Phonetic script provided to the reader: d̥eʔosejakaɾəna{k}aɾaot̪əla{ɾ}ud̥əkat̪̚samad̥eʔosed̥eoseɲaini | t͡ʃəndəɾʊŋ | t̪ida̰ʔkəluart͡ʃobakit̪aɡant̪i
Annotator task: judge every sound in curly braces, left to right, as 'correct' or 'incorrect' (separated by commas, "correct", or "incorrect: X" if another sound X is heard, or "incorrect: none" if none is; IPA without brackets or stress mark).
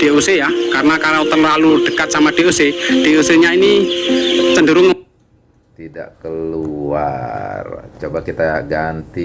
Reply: correct, incorrect: l